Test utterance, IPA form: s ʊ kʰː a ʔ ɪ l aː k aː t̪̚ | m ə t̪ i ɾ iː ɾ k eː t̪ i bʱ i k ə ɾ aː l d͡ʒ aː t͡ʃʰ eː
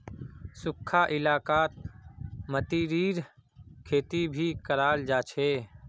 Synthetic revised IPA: s ʊ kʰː a ʔ ɪ l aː k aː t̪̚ | m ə t̪ i ɾ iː ɾ kʰ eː t̪ i bʱ i k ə ɾ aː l d͡ʒ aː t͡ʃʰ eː

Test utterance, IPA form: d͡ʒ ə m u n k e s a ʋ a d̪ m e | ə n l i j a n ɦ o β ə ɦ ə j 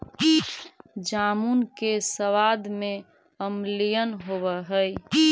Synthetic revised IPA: d͡ʒ a m u n k e s ə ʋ a d̪ m e | ə m l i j ə n ɦ o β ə ɦ ə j

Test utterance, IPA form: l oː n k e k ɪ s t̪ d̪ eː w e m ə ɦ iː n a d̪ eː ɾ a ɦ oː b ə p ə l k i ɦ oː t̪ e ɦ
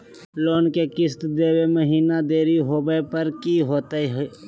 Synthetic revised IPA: l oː n k e k ɪ s t̪ d̪ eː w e m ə ɦ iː n a d̪ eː ɾ i ɦ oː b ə p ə ɾ k i ɦ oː t̪ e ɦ

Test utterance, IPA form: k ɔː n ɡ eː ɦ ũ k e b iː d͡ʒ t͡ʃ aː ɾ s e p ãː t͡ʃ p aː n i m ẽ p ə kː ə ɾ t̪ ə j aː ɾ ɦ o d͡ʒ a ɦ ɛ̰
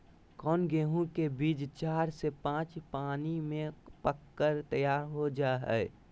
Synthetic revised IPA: k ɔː n ɡ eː ɦ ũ k e b iː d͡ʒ t͡ʃ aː ɾ s e p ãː t͡ʃ p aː n i m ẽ p ə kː ə ɾ t̪ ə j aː ɾ ɦ o d͡ʒ a ɦ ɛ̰

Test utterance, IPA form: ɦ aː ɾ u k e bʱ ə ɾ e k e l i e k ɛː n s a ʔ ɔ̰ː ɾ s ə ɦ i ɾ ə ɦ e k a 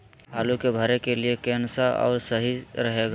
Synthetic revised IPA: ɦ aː l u k e bʱ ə ɾ e k e l i e k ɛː n s a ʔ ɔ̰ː ɾ s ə ɦ i ɾ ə ɦ e ɡ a

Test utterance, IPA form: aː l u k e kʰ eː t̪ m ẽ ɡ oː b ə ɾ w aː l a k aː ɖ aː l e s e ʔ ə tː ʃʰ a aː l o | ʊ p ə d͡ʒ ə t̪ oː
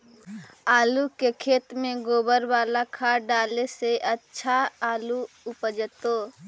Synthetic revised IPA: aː l u k e kʰ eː t̪ m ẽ ɡ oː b ə ɾ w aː l a kʰ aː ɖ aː l e s e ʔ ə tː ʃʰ a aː l u | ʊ p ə d͡ʒ ə t̪ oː

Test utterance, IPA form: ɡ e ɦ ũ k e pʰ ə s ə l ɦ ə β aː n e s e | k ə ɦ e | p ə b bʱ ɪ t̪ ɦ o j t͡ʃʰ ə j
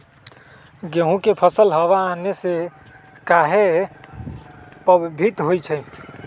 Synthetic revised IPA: ɡ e ɦ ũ k e pʰ ə s ə l ɦ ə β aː n e s e | k a ɦ e | p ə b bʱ i t̪ ɦ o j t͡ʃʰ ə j

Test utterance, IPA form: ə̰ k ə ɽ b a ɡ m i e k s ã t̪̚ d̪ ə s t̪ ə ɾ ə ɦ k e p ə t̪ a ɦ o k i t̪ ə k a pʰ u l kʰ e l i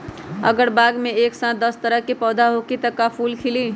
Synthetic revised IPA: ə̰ ɡ ə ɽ b a ɡ m e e k s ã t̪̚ d̪ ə s t̪ ə ɾ ə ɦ k e p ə d̪ a ɦ o k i t̪ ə k a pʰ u l kʰ i l i

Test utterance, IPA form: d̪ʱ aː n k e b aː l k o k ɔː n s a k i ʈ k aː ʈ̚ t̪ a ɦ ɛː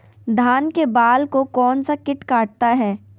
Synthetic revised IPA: d̪ʱ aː n k e b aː l k o k ɔː n s a k ɪ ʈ k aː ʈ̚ t̪ a ɦ ɛː

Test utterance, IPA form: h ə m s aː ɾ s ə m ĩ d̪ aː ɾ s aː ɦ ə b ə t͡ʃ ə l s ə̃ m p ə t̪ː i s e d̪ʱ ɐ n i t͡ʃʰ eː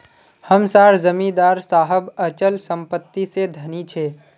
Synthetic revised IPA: h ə m s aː ɾ z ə m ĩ d̪ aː ɾ s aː ɦ ə b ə t͡ʃ ə l s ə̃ m p ə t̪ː i s e d̪ʱ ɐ n i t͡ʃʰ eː

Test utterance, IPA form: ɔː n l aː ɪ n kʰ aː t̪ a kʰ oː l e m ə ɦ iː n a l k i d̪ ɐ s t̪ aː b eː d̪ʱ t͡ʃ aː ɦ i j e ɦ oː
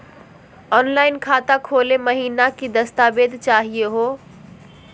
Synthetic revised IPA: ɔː n l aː ɪ n kʰ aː t̪ a kʰ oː l e m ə ɦ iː n a k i d̪ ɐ s t̪ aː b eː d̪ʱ t͡ʃ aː ɦ i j e ɦ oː

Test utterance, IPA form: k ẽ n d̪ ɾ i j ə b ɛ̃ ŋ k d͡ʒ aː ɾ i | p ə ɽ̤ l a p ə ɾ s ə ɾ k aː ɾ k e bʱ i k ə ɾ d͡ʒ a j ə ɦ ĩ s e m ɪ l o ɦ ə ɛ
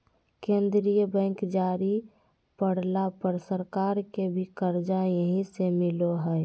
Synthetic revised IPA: k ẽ n d̪ ɾ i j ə b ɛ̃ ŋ k d͡ʒ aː ɾ i | p ə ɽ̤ l a p ə ɾ s ə ɾ k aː ɾ k e bʱ i k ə ɾ d͡ʒ a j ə ɦ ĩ s e m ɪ l o ɦ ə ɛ

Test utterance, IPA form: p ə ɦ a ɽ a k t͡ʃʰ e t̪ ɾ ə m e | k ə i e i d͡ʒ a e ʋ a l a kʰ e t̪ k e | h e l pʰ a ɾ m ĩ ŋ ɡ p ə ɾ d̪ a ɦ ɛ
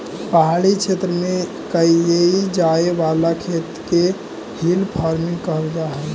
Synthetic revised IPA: p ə ɦ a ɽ i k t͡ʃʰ e t̪ ɾ ə m e | k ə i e i d͡ʒ a e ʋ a l a kʰ e t̪ k e | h i l pʰ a ɾ m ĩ ŋ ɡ k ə ɾ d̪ a ɦ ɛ

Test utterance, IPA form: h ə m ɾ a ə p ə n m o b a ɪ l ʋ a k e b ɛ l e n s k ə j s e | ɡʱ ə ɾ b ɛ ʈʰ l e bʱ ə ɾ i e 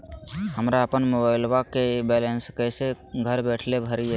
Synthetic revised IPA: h ə m ɾ a ə p ə n m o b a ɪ l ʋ a k e b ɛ l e n s k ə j s e | ɡʱ ə ɾ b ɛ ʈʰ l e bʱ ə ɾ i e

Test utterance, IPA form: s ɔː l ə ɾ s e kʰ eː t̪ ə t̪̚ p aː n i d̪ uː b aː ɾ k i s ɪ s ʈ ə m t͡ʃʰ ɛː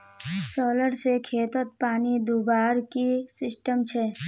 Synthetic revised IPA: s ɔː l ə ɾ s e kʰ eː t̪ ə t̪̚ p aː n i d̪ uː b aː ɾ k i s ɪ s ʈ ə m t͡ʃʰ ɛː

